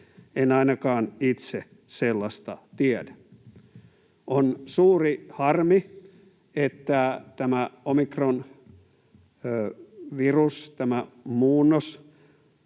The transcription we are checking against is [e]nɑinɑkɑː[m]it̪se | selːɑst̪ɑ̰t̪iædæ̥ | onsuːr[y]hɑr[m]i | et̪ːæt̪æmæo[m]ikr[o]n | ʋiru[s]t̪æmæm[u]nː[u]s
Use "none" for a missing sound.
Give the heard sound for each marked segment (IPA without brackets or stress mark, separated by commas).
e, n, i, m, m, o, s, uː, o